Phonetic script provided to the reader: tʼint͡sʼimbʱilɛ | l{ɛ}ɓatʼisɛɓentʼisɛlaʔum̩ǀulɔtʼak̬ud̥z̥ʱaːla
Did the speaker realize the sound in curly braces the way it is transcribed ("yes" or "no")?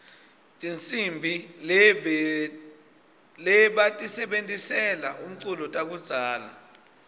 yes